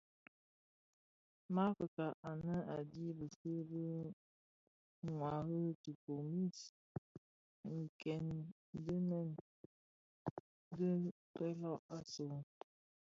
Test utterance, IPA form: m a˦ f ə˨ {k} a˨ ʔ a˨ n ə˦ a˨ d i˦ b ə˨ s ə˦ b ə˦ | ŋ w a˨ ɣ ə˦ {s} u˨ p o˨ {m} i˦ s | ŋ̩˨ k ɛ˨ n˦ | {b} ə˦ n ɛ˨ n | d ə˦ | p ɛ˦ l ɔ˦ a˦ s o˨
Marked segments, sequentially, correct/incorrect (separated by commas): correct, incorrect, correct, incorrect